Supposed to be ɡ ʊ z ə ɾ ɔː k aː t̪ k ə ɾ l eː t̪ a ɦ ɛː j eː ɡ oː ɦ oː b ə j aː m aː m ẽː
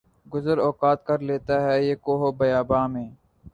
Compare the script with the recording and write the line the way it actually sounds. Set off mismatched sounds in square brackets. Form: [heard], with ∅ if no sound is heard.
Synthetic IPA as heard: ɡ ʊ z ə ɾ ɔː k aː t̪ k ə ɾ l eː t̪ a ɦ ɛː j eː [k] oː ɦ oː b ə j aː [b] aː m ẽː